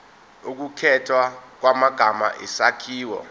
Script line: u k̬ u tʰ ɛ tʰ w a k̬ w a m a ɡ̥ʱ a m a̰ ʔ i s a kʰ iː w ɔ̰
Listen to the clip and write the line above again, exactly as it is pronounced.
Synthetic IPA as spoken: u k̬ u kʰ ɛ tʰ w a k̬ w a m a ɡ̥ʱ a m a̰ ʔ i s a kʰ iː w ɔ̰